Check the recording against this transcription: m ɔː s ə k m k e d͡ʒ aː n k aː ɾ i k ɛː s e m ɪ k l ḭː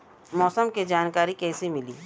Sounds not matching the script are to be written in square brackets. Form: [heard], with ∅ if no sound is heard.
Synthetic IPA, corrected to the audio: m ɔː s ə [∅] m k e d͡ʒ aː n k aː ɾ i k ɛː s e m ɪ [∅] l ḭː